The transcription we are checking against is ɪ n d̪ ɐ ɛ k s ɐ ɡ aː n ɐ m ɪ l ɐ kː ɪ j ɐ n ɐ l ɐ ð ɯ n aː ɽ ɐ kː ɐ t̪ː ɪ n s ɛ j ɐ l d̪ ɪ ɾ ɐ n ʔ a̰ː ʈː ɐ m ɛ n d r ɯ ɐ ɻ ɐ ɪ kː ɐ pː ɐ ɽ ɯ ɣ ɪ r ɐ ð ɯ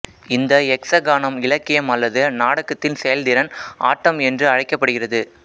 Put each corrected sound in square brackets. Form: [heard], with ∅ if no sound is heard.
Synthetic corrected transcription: ɪ n d̪ ɐ ɛ k s ɐ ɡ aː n ɐ m ɪ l ɐ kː ɪ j ɐ [m] ɐ [lː] ɐ ð ɯ n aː ɽ ɐ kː ɐ t̪ː ɪ n s ɛ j ɐ l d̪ ɪ ɾ ɐ n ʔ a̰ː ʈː ɐ m ɛ n d r ɯ ɐ ɻ ɐ ɪ kː ɐ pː ɐ ɽ ɯ ɣ ɪ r ɐ ð ɯ

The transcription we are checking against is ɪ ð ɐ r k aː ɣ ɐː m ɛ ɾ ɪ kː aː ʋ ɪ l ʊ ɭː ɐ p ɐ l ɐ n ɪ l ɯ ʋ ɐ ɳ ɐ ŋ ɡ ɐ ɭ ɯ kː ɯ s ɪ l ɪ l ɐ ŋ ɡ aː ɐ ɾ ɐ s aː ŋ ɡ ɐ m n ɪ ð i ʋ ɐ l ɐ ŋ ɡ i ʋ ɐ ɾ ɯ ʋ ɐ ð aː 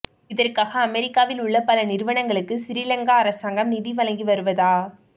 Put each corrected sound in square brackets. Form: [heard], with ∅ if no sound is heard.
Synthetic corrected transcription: ɪ ð ɐ r k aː ɣ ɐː m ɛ ɾ ɪ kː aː ʋ ɪ l ʊ ɭː ɐ p ɐ l ɐ n ɪ [ɾ] ɯ ʋ ɐ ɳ ɐ ŋ ɡ ɐ ɭ ɯ kː ɯ s ɪ [ɾ] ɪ l ɐ ŋ ɡ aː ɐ ɾ ɐ s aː ŋ ɡ ɐ m n ɪ ð i ʋ ɐ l ɐ ŋ ɡ i ʋ ɐ ɾ ɯ ʋ ɐ ð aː

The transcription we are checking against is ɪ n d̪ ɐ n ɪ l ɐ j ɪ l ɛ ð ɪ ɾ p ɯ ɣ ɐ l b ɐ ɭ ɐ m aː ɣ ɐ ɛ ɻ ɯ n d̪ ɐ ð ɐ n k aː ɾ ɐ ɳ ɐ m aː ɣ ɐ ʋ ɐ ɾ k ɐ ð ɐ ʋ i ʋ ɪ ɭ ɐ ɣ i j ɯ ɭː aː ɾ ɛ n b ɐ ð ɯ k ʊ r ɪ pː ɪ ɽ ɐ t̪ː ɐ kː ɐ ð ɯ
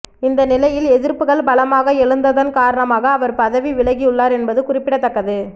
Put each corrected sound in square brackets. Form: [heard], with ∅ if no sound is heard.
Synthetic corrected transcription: ɪ n d̪ ɐ n ɪ l ɐ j ɪ l ɛ ð ɪ ɾ p ɯ ɣ ɐ [ɭ] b ɐ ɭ ɐ m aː ɣ ɐ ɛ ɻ ɯ n d̪ ɐ ð ɐ n k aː ɾ ɐ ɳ ɐ m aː ɣ [ɐː] ʋ ɐ ɾ [p] ɐ ð ɐ ʋ i ʋ ɪ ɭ ɐ ɣ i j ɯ ɭː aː ɾ ɛ n b ɐ ð ɯ k ʊ r ɪ pː ɪ ɽ ɐ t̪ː ɐ kː ɐ ð ɯ

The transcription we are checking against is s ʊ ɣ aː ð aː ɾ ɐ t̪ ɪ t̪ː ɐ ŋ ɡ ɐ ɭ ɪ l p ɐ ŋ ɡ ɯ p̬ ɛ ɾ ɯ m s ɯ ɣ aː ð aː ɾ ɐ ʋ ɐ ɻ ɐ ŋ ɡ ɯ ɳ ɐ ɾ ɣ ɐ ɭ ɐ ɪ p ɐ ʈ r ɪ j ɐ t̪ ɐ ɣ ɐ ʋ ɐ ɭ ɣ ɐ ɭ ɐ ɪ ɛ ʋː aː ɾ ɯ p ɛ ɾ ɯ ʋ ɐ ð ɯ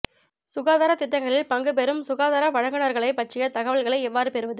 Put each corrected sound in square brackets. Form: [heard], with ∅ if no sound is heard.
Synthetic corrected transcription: s ʊ ɣ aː ð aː ɾ ɐ t̪ ɪ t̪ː ɐ ŋ ɡ ɐ ɭ ɪ l p ɐ ŋ ɡ ɯ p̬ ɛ ɾ ɯ m s [ʊ] ɣ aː ð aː ɾ ɐ ʋ ɐ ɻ ɐ ŋ ɡ ɯ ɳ ɐ ɾ ɣ ɐ ɭ ɐ ɪ p ɐ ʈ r ɪ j ɐ t̪ ɐ ɣ ɐ ʋ ɐ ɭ ɣ ɐ ɭ ɐ ɪ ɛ ʋː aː ɾ ɯ p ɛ ɾ ɯ ʋ ɐ ð ɯ

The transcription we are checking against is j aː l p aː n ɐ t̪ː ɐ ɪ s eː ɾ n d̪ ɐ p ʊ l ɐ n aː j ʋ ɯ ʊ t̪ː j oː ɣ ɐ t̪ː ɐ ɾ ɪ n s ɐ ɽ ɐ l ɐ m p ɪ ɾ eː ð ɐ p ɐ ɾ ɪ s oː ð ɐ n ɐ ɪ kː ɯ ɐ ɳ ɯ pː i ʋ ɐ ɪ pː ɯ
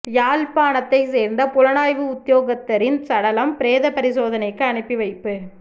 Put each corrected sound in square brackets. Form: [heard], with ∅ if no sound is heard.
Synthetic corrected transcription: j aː l p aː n ɐ t̪ː ɐ ɪ s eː ɾ n d̪ ɐ p ʊ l ɐ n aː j ʋ ɯ ʊ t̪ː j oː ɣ ɐ t̪ː ɐ ɾ ɪ n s ɐ ɽ ɐ l ɐ m p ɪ ɾ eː ð ɐ p ɐ ɾ ɪ s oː ð ɐ n ɐ ɪ kː ɯ ɐ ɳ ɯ pː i ʋ ɐ ɪ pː ɯ

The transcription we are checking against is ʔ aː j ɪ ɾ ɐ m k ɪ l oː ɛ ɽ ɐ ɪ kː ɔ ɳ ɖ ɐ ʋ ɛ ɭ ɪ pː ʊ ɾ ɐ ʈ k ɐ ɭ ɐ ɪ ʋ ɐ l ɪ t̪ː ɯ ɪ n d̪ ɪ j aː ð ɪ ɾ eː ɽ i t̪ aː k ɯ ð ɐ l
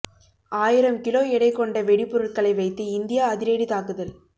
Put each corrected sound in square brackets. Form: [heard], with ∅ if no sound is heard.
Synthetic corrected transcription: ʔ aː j ɪ ɾ ɐ m k ɪ l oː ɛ ɽ ɐ ɪ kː ɔ ɳ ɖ ɐ ʋ ɛ [ɽ] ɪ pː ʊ ɾ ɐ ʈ k ɐ ɭ ɐ ɪ ʋ ɐ [∅] ɪ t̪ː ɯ ɪ n d̪ ɪ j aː ð ɪ ɾ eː ɽ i t̪ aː k ɯ ð ɐ l

